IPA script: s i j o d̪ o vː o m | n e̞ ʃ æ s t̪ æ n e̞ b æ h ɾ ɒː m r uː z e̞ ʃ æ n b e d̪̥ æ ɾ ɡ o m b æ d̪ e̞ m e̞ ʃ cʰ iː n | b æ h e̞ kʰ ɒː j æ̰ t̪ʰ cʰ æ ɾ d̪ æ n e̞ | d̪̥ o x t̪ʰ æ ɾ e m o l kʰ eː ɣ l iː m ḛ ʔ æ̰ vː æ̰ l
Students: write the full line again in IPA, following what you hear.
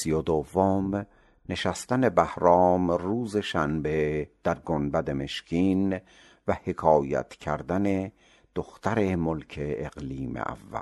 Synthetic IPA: s i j o d̪ o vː o m | n e̞ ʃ æ s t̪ æ n e̞ b æ h ɾ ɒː m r uː z e̞ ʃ æ n b e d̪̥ æ ɾ ɡ o n b æ d̪ e̞ m e̞ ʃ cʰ iː n | v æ h e̞ kʰ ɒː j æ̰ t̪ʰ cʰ æ ɾ d̪ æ n e̞ | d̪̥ o x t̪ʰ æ ɾ e m o l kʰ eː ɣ l iː m ḛ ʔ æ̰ vː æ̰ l